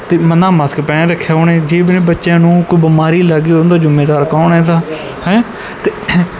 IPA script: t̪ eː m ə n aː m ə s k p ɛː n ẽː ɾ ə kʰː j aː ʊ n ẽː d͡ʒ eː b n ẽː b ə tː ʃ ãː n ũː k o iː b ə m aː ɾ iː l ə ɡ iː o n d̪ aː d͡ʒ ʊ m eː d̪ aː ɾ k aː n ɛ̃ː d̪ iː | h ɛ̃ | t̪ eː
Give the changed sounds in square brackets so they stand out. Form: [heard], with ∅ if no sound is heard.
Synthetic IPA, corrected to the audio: t̪ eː m ə n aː m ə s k p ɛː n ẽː ɾ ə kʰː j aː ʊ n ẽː d͡ʒ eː b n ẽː b ə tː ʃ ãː n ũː k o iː b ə m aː ɾ iː l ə ɡ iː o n d̪ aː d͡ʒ ʊ m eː d̪ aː ɾ k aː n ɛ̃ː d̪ [aː] | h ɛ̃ | t̪ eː

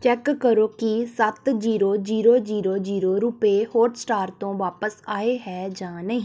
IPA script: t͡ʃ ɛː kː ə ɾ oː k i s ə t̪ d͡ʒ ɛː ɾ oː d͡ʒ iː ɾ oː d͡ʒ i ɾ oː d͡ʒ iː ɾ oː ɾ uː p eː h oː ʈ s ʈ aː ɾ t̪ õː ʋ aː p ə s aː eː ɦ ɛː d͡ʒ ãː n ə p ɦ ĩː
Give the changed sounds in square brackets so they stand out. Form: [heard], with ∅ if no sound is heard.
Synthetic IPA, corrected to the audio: t͡ʃ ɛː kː ə ɾ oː k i s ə t̪ d͡ʒ [iː] ɾ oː d͡ʒ iː ɾ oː d͡ʒ [iː] ɾ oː d͡ʒ iː ɾ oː ɾ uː p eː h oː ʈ s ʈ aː ɾ t̪ õː ʋ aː p ə s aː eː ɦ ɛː d͡ʒ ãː n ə [∅] ɦ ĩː

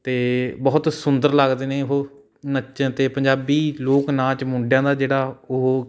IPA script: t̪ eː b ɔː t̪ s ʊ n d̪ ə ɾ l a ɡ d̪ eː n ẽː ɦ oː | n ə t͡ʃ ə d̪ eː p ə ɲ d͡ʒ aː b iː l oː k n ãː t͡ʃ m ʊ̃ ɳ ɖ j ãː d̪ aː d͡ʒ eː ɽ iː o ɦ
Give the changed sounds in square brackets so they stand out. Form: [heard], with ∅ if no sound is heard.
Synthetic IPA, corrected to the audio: t̪ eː b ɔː t̪ s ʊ n d̪ ə ɾ l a ɡ d̪ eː n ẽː ɦ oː | n ə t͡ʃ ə [t̪] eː p ə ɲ d͡ʒ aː b iː l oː k n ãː t͡ʃ m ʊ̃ ɳ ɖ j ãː d̪ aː d͡ʒ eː ɽ [aː] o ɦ

